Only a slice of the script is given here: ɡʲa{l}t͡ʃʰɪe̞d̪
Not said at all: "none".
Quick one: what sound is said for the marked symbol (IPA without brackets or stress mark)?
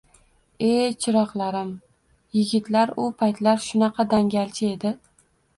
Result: l